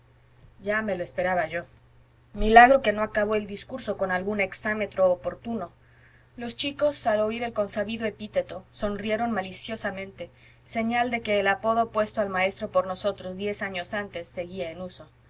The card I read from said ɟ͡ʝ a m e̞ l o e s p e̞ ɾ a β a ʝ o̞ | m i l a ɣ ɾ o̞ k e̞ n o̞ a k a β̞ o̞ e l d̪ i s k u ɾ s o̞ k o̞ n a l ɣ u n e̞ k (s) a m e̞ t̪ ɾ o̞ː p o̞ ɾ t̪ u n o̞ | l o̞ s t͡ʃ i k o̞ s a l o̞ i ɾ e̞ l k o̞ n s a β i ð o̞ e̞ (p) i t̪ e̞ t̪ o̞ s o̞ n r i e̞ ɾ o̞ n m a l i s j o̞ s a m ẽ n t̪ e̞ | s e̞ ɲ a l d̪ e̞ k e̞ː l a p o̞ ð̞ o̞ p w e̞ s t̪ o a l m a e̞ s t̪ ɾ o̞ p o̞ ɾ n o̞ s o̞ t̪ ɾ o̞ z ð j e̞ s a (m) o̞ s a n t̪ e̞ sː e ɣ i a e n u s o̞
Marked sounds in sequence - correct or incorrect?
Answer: correct, correct, incorrect

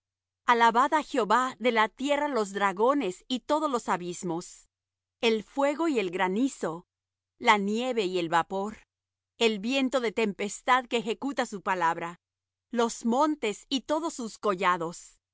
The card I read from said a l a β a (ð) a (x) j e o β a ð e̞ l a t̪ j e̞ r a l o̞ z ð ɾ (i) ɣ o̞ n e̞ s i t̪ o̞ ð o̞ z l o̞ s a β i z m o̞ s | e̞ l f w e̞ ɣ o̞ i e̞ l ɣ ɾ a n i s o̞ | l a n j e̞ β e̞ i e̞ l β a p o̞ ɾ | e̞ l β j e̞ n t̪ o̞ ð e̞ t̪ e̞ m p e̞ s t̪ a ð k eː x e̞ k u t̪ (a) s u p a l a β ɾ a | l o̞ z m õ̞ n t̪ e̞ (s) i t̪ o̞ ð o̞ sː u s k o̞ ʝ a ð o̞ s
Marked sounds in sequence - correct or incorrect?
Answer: correct, correct, incorrect, correct, correct

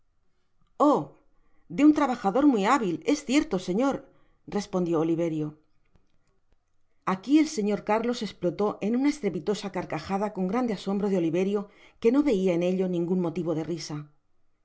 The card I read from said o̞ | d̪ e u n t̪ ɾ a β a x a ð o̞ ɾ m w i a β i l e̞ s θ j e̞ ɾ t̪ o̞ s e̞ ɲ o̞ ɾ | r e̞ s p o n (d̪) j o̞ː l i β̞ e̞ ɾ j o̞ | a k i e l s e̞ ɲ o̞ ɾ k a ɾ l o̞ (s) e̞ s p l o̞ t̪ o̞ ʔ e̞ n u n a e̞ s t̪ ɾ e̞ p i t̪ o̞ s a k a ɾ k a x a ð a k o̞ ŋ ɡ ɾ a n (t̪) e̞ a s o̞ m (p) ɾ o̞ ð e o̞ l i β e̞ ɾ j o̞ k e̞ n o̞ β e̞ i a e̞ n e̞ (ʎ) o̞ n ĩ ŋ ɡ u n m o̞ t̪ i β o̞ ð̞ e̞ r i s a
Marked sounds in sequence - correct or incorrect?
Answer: correct, correct, incorrect, incorrect, correct

